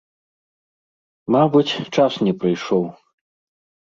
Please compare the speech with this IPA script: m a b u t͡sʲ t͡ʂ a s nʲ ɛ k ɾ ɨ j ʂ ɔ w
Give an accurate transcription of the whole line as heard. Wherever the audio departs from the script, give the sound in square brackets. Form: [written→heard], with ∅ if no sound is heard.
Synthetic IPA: m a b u t͡sʲ t͡ʂ a s nʲ ɛ [k→p] ɾ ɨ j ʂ ɔ w